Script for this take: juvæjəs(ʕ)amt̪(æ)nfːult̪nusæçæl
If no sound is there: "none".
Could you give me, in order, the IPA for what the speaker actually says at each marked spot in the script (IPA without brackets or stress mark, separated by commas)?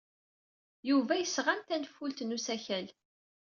ʁ, æ